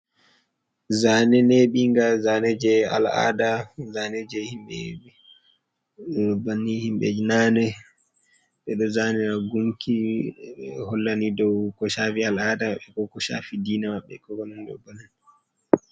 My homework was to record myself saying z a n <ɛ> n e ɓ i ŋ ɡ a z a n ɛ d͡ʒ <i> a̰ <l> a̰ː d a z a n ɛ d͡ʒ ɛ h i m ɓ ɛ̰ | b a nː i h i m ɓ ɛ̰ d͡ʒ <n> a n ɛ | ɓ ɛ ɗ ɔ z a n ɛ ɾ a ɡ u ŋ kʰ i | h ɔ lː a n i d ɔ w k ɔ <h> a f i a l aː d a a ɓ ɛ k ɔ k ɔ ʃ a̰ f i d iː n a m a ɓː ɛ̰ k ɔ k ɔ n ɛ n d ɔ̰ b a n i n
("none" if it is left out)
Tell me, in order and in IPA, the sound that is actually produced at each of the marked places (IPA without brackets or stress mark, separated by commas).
ɛ, ɛ, l, n, ʃ